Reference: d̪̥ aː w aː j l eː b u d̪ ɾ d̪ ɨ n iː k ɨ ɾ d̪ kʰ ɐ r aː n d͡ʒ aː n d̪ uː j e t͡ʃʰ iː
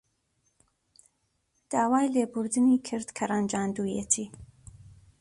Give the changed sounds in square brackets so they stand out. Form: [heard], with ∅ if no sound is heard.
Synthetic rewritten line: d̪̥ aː w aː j l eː b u [∅] ɾ d̪ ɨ n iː [kʰ] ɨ ɾ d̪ kʰ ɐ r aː n d͡ʒ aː n d̪ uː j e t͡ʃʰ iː